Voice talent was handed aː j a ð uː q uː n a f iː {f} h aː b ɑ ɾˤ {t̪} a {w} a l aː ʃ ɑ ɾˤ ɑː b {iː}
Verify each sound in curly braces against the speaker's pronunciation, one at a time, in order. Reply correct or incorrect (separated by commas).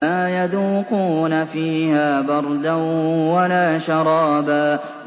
incorrect, incorrect, correct, incorrect